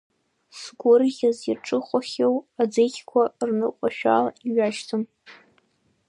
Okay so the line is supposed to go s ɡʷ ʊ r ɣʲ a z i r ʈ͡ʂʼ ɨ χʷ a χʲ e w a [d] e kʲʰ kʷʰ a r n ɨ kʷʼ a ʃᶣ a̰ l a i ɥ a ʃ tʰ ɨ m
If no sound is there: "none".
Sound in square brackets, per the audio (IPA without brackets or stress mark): d͡z